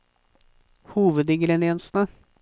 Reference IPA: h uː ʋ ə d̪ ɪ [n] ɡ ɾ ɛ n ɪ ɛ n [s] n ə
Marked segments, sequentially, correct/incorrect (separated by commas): incorrect, correct